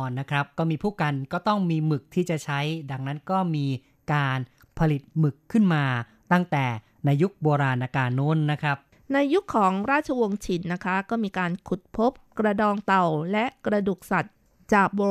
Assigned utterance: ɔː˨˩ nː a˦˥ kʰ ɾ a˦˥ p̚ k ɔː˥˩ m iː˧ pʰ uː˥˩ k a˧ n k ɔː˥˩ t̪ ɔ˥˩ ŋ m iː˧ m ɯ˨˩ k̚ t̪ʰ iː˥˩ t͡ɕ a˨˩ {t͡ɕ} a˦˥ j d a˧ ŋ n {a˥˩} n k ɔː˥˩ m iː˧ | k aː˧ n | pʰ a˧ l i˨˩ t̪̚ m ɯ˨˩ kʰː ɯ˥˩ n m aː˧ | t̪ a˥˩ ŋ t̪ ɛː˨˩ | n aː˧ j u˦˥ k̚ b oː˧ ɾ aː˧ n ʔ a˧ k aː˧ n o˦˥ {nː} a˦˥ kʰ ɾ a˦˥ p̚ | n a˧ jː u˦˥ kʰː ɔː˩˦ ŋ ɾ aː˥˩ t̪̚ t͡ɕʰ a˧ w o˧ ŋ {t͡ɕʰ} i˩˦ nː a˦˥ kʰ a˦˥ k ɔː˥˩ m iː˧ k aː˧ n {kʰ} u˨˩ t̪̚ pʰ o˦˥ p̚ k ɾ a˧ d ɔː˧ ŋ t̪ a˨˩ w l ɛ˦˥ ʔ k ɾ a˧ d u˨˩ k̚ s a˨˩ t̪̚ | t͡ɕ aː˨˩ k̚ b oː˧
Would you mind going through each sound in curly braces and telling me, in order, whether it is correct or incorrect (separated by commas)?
incorrect, incorrect, correct, correct, correct